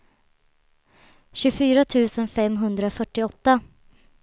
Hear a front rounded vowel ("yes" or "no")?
yes